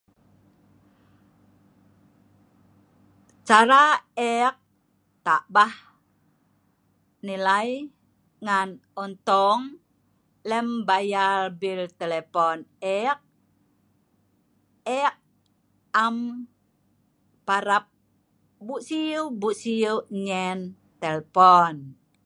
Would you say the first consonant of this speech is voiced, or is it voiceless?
voiceless